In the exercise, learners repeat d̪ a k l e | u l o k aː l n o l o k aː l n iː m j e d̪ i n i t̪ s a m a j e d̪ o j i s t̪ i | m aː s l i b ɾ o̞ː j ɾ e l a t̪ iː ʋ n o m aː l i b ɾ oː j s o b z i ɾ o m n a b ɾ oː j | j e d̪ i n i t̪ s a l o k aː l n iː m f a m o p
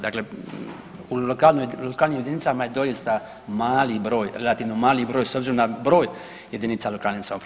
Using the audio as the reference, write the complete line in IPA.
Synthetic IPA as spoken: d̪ a k l e | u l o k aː l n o l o k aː l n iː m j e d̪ i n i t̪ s a m a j e d̪ o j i s t̪ a | m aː l i b ɾ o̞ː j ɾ e l a t̪ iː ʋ n o m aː l i b ɾ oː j s o b z i ɾ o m n a b ɾ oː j | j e d̪ i n i t̪ s a l o k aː l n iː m s a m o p